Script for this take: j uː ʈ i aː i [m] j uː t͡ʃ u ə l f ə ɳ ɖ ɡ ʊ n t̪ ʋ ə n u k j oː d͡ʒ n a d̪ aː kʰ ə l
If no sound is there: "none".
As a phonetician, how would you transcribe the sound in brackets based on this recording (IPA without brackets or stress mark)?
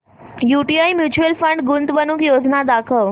m